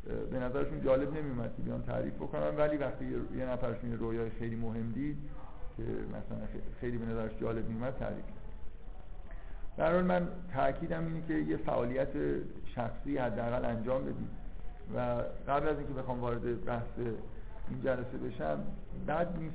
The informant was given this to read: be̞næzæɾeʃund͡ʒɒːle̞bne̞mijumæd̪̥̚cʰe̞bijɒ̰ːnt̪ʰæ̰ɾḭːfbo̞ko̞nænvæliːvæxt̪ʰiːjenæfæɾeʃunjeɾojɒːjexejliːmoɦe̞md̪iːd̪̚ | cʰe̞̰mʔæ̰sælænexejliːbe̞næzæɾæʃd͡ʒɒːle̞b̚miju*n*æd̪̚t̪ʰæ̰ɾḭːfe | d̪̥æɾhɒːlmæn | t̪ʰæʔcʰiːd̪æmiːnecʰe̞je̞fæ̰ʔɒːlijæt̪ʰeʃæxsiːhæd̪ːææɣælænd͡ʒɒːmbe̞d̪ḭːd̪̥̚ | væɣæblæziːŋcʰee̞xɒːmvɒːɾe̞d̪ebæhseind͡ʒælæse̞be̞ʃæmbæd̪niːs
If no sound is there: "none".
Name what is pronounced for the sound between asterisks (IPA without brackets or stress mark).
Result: m